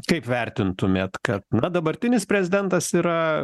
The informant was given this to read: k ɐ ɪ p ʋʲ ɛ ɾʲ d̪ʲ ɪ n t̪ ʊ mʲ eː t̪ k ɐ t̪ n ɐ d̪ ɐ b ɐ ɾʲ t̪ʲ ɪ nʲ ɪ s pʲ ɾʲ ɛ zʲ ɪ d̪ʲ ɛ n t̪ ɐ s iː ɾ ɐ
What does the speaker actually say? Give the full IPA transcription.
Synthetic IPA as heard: k ɐ ɪ p ʋʲ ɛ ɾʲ t̪ʲ ɪ n t̪ ʊ mʲ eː t̪ k ɐ t̪ n ɐ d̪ ɐ b ɐ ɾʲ t̪ʲ ɪ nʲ ɪ s pʲ ɾʲ ɛ zʲ ɪ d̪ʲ ɛ n t̪ ɐ s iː ɾ ɐ